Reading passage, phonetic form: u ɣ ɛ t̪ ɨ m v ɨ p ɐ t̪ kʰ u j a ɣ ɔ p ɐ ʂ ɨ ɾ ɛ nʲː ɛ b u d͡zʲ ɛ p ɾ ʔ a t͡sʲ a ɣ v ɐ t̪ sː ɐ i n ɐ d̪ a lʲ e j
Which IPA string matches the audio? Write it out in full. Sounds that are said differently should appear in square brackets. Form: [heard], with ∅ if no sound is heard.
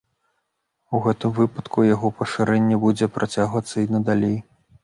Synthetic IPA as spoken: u ɣ ɛ t̪ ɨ m v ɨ p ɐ t̪ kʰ u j a ɣ ɔ p ɐ ʂ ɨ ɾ ɛ nʲː ɛ b u d͡zʲ ɛ p ɾ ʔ a t͡sʲ a ɣ v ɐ t̪ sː ɐ i n ɐ d̪ a lʲ e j